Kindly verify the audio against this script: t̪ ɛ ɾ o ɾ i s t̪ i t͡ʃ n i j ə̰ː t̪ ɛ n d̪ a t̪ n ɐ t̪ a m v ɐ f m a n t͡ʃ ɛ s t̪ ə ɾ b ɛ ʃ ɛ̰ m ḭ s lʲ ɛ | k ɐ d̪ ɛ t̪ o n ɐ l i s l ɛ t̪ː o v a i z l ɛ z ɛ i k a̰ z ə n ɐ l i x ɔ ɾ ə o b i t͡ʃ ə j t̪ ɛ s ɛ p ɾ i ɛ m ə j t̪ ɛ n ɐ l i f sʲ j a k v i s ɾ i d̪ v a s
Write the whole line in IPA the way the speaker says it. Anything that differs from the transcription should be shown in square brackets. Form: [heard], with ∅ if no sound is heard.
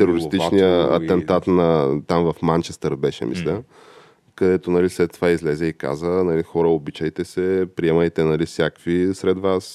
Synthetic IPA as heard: t̪ ɛ ɾ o ɾ i s t̪ i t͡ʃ n i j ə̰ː t̪ ɛ n [t̪] a t̪ n ɐ t̪ a m v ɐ f m a n t͡ʃ ɛ s t̪ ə ɾ b ɛ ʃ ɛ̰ m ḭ s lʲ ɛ | k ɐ d̪ ɛ t̪ o n ɐ l i s l ɛ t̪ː o v a i z l ɛ z ɛ i k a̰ z ə n ɐ l i x ɔ ɾ ə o b i t͡ʃ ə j t̪ ɛ s ɛ p ɾ i ɛ m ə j t̪ ɛ n ɐ l i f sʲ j a k v i s ɾ [ɛ] d̪ v a s